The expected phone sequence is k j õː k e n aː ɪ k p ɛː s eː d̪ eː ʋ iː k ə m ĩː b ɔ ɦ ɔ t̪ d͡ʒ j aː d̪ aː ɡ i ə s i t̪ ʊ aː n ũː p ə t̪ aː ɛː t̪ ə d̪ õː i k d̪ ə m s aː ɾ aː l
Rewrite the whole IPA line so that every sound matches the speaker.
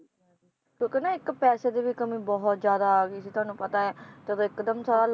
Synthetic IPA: k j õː k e n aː ɪ k p ɛː s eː d̪ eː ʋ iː k ə m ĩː b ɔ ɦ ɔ t̪ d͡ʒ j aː d̪ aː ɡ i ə s i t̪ ʊ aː n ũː p ə t̪ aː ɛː t̪ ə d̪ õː ɪ k d̪ ə m s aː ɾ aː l